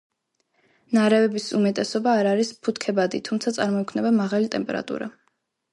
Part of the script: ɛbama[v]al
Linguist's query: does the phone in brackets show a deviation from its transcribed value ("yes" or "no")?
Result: yes